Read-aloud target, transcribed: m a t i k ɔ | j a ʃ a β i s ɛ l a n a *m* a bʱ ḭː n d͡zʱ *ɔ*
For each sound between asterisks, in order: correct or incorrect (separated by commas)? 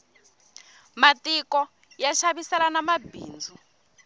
correct, incorrect